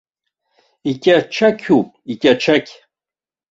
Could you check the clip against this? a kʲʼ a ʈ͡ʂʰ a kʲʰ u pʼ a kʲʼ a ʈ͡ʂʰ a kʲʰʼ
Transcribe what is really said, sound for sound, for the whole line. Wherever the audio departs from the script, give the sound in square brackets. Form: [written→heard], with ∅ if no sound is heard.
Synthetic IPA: [a→i] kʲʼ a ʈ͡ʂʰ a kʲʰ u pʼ [a→i] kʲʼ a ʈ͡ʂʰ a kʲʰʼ